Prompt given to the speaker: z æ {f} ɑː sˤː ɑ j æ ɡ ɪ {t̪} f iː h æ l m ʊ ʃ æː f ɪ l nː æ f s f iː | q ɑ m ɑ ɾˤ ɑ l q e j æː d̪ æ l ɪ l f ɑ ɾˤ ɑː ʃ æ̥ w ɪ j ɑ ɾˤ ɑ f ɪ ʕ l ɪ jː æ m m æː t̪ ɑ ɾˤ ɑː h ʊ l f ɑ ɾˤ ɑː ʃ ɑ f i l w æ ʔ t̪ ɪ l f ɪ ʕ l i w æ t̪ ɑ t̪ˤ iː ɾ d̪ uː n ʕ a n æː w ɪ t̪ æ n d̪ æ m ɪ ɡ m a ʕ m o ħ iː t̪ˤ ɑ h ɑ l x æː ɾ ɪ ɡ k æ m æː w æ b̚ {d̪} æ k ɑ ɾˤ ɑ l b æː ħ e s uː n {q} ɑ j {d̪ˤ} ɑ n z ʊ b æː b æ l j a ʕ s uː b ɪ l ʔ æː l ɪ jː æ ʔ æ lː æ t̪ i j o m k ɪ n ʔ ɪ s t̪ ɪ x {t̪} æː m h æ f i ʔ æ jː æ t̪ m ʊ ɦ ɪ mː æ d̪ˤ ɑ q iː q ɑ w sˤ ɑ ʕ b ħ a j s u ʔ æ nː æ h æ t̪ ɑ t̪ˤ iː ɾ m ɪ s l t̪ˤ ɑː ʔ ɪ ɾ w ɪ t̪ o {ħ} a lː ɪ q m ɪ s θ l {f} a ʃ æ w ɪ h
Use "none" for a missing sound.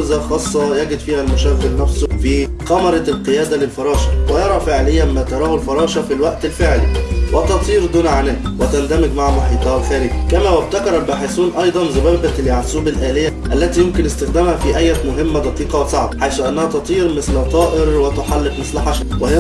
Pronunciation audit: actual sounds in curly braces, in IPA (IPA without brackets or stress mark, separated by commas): x, d̪, t̪, ʔ, d̪ˤ, d̪, ħ, ħ